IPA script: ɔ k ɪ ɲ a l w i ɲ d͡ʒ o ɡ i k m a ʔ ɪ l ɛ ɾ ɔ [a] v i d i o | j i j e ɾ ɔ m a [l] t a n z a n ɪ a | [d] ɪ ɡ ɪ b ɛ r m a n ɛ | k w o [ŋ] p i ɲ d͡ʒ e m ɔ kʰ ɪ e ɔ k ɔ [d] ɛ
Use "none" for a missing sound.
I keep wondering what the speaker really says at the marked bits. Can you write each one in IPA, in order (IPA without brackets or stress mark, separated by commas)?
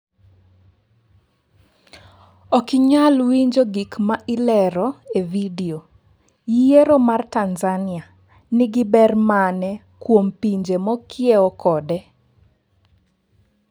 e, r, n, m, d